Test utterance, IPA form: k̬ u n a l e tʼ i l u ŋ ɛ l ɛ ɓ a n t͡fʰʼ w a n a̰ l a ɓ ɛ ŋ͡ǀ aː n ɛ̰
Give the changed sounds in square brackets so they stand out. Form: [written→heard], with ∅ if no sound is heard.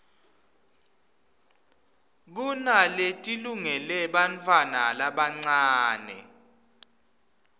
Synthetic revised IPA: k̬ u n a l e tʼ i l u ŋ ɛ l ɛ ɓ a n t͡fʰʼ w a n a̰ l a ɓ [ɛ→a] ŋ͡ǀ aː n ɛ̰